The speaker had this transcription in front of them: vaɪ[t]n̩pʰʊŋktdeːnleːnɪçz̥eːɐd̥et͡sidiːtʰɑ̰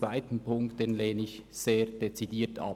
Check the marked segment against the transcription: correct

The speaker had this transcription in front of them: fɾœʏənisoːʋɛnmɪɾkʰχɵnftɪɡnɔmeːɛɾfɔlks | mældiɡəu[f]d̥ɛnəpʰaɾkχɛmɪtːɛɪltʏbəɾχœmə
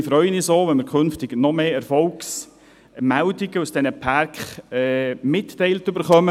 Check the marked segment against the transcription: incorrect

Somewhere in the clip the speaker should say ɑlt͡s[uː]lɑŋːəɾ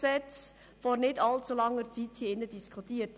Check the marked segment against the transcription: incorrect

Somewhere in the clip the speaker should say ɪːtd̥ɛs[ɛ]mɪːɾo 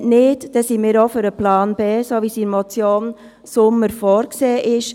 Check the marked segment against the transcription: incorrect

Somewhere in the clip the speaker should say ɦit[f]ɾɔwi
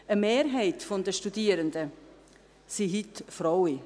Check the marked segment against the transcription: correct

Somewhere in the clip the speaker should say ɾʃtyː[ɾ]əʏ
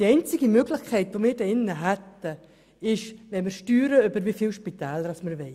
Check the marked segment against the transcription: correct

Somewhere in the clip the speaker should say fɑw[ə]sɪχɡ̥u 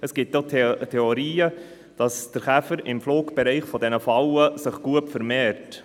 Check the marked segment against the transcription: correct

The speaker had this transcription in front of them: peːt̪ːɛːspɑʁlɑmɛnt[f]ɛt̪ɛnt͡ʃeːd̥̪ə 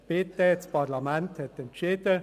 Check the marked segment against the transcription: incorrect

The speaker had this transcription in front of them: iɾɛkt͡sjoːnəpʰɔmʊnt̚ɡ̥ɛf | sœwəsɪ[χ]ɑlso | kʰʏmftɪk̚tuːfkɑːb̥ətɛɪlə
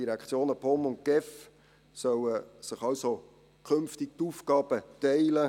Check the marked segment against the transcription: correct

